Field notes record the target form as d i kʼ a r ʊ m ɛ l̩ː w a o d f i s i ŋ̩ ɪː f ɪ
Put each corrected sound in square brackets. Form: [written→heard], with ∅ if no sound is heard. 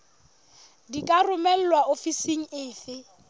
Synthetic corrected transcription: d i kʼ a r ʊ m ɛ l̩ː w a o [d→∅] f i s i ŋ̩ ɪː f ɪ

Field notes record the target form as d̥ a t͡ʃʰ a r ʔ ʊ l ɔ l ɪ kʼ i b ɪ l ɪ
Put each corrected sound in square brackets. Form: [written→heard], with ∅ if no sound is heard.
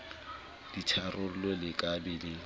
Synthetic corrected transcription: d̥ [a→i] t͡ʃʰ a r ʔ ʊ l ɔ l ɪ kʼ [i→a] b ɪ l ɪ

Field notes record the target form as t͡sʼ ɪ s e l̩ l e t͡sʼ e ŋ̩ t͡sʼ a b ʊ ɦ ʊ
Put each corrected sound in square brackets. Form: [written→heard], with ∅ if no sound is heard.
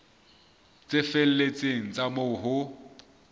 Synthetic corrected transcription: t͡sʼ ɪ [s→f] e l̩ l e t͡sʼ e ŋ̩ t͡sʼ a [b→m] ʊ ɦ ʊ

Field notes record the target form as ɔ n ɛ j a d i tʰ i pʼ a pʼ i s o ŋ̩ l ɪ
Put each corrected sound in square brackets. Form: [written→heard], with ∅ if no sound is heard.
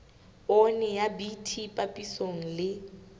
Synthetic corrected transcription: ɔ n ɛ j a [d→b] i tʰ i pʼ a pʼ i s o ŋ̩ l ɪ

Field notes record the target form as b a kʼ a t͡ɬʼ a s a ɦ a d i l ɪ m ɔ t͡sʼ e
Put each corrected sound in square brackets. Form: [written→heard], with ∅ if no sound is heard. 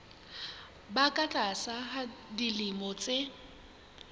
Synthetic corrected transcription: b a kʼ a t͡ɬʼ a s a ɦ a d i l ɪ m ɔ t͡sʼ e

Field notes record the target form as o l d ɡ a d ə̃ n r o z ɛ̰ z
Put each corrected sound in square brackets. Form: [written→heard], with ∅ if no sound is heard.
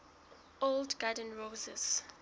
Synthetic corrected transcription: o l d ɡ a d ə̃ n [r→ɹ] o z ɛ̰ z

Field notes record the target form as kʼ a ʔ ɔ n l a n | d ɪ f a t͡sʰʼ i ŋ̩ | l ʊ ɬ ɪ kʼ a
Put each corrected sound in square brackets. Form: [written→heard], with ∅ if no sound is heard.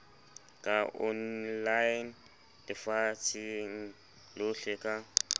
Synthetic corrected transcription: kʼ a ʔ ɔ n l a n | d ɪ f a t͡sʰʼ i ŋ̩ | l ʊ ɬ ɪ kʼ a

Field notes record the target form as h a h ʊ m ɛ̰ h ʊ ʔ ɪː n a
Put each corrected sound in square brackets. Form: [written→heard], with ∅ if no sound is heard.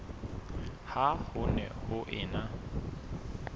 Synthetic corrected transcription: h a h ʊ [m→n] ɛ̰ h ʊ ʔ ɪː n a

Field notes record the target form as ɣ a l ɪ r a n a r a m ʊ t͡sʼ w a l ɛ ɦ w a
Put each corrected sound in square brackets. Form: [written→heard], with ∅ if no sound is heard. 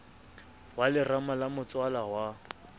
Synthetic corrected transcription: [ɣ→w] a l ɪ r a [n→m] a [r→l] a m ʊ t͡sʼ w a l [ɛ→a] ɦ w a

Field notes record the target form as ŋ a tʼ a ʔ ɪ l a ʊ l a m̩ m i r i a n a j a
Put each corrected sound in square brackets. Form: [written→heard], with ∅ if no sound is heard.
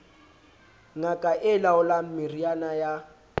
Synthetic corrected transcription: ŋ a [tʼ→kʼ] a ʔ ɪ l a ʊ l a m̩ m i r i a n a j a

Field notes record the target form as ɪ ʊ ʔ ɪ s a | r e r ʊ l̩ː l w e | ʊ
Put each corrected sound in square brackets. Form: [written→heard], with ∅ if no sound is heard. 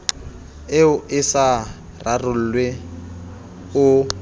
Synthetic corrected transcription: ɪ ʊ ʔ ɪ s a | r [e→a] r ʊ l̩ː l w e | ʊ

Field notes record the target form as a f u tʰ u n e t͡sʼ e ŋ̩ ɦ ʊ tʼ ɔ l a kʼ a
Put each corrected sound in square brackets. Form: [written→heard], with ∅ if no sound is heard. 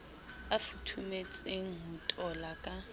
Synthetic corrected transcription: a f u tʰ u [n→m] e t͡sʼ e ŋ̩ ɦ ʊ tʼ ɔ l a kʼ a

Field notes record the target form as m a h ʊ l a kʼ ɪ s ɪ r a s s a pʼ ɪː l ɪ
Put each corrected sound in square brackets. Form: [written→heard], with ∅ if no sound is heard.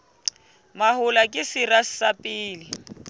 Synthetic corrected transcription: m a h ʊ l a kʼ ɪ s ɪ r a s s a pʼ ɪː l ɪ

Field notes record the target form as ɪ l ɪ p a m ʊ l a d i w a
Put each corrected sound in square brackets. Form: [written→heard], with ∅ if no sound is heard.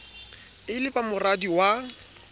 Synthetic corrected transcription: ɪ l ɪ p a m ʊ [l→r] a d i w a

